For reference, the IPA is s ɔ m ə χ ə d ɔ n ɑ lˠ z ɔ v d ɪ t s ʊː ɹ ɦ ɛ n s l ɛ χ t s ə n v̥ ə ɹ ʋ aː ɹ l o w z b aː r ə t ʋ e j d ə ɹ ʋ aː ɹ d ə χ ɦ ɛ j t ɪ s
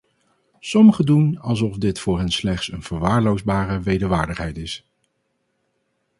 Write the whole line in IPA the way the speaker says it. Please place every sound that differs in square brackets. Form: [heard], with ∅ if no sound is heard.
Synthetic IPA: s ɔ m ə χ ə d [u] n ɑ lˠ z ɔ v d ɪ t [f] ʊː ɹ ɦ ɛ n s l ɛ χ t s ə n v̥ ə ɹ ʋ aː ɹ l o w z b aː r ə [∅] ʋ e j d ə ɹ ʋ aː ɹ d ə χ ɦ ɛ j t ɪ s

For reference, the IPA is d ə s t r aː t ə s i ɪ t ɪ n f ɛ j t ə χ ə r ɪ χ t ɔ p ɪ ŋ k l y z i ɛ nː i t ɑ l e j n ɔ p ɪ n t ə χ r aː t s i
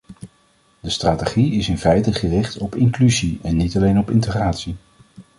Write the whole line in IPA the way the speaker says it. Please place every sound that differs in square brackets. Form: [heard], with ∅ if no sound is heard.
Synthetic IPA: d ə s t r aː t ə [χ] i ɪ [s] ɪ n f ɛ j t ə χ ə r ɪ χ t ɔ p ɪ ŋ k l y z i ɛ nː i t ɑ l e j n ɔ p ɪ n t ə χ r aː t s i

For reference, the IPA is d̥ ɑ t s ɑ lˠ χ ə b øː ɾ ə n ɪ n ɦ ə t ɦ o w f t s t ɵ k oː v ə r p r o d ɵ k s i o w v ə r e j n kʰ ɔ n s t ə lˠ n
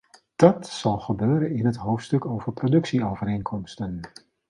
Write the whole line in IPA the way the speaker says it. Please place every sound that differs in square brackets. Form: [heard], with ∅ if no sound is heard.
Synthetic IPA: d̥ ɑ t s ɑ lˠ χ ə b øː ɾ ə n ɪ n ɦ ə t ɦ o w f t s t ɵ k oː v ə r p r o d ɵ k s i o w v ə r e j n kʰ ɔ [m] s t ə [∅] n

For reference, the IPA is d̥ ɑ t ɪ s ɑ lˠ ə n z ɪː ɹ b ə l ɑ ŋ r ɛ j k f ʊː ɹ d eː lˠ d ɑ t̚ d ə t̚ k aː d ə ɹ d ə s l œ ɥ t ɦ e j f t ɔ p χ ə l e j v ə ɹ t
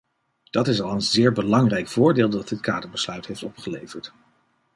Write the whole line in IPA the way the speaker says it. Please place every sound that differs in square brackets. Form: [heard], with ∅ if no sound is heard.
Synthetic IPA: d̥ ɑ t ɪ s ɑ lˠ ə n z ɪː ɹ b ə l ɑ ŋ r ɛ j k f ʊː ɹ d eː lˠ d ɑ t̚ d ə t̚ k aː d ə ɹ [b] ə s l œ ɥ t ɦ e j f t ɔ p χ ə l e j v ə ɹ t

